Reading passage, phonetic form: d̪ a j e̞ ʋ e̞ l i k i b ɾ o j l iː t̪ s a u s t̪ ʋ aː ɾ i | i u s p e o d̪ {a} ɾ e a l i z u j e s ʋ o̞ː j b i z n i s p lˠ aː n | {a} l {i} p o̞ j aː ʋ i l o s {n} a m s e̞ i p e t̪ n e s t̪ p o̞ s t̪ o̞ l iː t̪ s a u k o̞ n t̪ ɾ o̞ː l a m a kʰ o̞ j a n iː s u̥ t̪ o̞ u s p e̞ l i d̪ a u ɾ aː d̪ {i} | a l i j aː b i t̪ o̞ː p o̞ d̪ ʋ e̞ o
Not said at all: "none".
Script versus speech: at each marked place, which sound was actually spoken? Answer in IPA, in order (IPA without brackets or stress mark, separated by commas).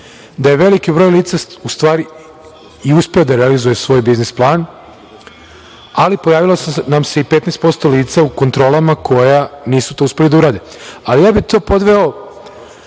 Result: a, a, i, n, e